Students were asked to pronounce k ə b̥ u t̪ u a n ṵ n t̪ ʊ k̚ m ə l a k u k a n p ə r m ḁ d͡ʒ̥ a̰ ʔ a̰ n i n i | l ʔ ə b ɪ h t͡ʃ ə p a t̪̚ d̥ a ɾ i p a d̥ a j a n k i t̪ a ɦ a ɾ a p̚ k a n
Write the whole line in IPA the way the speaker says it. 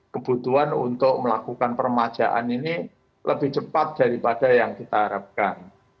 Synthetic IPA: k ə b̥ u t̪ u a n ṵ n t̪ ʊ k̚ m ə l a k u k a n p ə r m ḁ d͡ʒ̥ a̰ ʔ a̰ n i n i | l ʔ ə b ɪ h t͡ʃ ə p a t̪̚ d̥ a ɾ i p a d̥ a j a ŋ k i t̪ a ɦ a ɾ a p̚ k a n